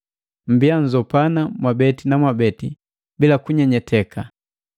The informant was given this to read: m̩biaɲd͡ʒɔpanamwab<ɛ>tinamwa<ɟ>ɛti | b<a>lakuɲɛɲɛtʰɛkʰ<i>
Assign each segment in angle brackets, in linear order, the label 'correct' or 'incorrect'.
correct, incorrect, incorrect, incorrect

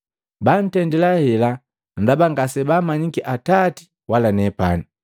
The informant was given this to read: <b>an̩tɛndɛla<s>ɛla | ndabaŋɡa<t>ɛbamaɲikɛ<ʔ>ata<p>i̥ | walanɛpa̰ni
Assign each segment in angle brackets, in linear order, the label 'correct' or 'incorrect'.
correct, incorrect, incorrect, correct, incorrect

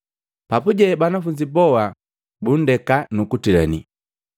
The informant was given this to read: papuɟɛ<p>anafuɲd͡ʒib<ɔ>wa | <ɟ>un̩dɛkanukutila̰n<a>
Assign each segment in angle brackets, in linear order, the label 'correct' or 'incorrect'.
incorrect, correct, incorrect, incorrect

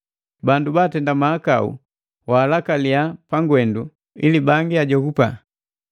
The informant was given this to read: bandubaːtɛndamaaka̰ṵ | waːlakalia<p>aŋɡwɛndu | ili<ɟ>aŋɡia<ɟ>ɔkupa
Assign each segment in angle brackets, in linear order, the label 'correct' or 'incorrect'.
correct, incorrect, correct

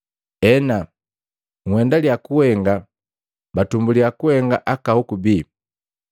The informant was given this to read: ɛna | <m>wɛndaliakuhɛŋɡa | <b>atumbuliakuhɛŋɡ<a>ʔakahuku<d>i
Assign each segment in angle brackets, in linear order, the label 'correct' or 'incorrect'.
incorrect, correct, correct, incorrect

